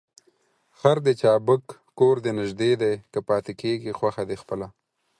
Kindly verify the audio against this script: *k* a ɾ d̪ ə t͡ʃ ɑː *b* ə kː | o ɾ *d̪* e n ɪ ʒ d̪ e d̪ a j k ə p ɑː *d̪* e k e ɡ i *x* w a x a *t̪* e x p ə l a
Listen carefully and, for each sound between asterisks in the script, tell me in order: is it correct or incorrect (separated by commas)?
incorrect, correct, correct, incorrect, correct, incorrect